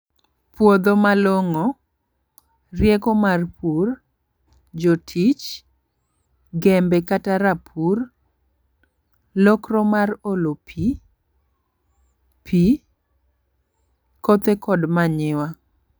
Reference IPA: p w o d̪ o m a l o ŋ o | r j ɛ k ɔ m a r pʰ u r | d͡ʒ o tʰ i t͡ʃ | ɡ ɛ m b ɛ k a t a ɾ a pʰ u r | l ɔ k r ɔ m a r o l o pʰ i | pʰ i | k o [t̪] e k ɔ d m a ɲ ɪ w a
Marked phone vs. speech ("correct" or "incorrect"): correct